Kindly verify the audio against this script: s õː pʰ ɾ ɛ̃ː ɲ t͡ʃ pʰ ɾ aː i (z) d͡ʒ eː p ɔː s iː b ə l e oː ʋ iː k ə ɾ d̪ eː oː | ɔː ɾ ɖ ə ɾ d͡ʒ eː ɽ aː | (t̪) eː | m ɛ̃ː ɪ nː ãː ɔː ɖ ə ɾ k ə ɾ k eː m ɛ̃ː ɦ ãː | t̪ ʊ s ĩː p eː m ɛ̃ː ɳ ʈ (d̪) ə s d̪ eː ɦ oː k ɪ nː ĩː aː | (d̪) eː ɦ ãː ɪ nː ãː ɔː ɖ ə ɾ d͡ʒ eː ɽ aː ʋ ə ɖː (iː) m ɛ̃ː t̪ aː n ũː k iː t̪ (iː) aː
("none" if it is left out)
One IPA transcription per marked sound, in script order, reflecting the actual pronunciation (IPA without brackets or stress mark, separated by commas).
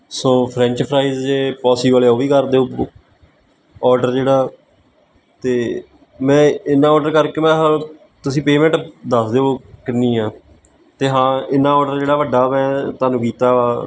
z, t̪, d̪, t̪, aː, aː